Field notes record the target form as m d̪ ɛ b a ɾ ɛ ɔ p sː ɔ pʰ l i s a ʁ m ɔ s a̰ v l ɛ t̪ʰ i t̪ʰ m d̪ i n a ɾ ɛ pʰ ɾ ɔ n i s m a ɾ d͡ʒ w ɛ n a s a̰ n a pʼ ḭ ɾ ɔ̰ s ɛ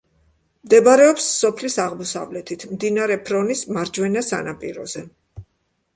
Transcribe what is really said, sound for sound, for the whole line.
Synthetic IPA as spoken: m d̪ ɛ b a ɾ ɛ ɔ p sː ɔ pʰ l i s a ʁ m ɔ s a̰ v l ɛ t̪ʰ i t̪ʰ m d̪ i n a ɾ ɛ pʰ ɾ ɔ n i s m a ɾ d͡ʒ w ɛ n a s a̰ n a pʼ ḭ ɾ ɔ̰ z ɛ